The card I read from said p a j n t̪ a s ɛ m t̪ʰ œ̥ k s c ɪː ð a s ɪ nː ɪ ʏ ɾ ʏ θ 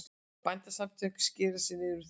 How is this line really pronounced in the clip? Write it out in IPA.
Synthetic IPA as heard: p a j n t̪ a s a m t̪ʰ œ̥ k s c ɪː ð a s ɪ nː ɪ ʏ ɾ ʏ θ